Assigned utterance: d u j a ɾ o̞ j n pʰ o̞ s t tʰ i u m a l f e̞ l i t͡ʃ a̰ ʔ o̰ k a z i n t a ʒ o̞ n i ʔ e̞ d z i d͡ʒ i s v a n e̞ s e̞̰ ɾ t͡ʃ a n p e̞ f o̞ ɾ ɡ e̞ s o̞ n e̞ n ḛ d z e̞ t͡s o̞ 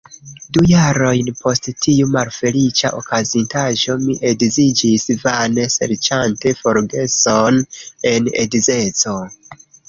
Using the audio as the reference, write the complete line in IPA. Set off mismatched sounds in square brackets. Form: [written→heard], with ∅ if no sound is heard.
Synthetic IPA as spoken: d u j a ɾ o̞ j n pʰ o̞ s t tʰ i u m a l f e̞ l i t͡ʃ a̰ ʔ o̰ k a z i n t a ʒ o̞ [n→m] i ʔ e̞ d z i d͡ʒ i s v a n e̞ s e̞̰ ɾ t͡ʃ a n [p→t] e̞ f o̞ ɾ ɡ e̞ s o̞ n e̞ n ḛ d z e̞ t͡s o̞